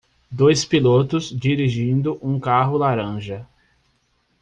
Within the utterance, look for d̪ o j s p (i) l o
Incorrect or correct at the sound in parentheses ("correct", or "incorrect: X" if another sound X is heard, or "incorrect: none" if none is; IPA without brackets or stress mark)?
correct